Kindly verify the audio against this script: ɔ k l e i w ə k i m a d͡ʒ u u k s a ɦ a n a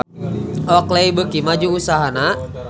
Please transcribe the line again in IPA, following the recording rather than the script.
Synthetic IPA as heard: ɔ k l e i b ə k i m a d͡ʒ u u s a ɦ a n a